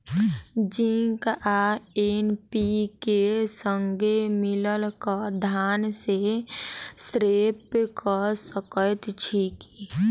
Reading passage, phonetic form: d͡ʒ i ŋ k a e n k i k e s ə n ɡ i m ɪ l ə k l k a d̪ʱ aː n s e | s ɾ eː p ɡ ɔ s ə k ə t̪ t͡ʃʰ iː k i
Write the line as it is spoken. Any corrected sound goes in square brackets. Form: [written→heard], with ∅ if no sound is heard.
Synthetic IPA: d͡ʒ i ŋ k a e n [k→p] i k e s ə [n→ŋ] ɡ [i→e] m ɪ l ə [k→∅] l k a d̪ʱ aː n s e | s ɾ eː p [ɡ→k] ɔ s ə k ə t̪ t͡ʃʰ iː k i